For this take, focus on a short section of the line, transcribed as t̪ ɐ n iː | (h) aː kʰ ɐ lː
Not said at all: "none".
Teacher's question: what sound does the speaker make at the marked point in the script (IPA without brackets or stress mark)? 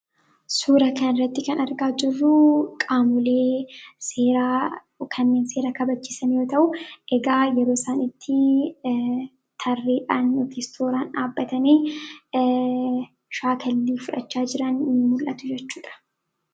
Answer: ʃ